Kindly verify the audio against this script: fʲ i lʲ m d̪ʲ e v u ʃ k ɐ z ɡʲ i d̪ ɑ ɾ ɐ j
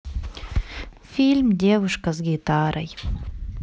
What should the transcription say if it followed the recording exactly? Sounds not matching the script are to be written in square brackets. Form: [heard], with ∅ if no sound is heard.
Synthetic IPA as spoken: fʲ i lʲ m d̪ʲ e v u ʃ k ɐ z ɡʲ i [t̪] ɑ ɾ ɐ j